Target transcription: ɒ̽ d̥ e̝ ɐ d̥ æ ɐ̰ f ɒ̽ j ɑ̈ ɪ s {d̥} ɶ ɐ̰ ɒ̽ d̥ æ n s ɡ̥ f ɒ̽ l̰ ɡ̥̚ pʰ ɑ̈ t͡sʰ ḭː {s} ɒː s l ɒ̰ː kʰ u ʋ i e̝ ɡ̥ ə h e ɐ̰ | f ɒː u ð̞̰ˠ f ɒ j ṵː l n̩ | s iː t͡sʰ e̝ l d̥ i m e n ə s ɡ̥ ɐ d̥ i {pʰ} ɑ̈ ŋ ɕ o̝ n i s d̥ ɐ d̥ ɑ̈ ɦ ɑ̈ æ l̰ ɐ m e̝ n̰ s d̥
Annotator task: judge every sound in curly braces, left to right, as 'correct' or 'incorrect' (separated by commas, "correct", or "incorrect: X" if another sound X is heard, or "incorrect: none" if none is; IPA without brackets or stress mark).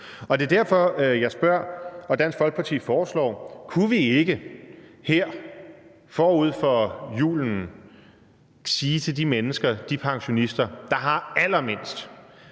incorrect: b̥, incorrect: f, correct